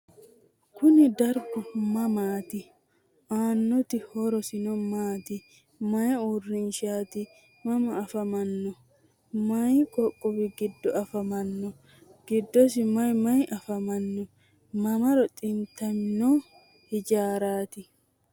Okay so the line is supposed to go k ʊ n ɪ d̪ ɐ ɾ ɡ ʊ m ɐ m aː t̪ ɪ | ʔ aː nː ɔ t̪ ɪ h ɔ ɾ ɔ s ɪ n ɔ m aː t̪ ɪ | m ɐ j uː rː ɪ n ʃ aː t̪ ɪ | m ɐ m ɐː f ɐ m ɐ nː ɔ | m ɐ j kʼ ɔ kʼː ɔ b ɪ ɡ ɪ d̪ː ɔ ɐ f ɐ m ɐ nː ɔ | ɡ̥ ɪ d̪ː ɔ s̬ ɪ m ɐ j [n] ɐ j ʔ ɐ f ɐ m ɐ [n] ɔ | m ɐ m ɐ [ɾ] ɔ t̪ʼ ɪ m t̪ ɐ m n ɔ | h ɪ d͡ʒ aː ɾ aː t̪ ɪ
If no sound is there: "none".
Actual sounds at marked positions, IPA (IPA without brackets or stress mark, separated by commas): m, nː, ɾ